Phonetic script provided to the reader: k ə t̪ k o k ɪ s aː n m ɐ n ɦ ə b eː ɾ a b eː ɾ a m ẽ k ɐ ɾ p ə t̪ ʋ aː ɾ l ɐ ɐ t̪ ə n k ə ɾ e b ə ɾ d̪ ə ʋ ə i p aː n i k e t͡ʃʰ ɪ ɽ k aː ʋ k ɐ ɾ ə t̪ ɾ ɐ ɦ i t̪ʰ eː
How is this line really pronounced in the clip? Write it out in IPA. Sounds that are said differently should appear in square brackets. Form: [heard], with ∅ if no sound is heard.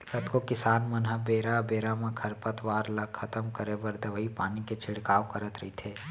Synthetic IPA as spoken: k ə t̪ k o k ɪ s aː n m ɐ n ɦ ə b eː ɾ a b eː ɾ a m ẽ [kʰ] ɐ ɾ p ə t̪ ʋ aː ɾ l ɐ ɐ t̪ ə [m] k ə ɾ e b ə ɾ d̪ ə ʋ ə i p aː n i k e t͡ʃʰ ɪ ɽ k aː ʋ k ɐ ɾ ə t̪ ɾ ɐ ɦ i t̪ʰ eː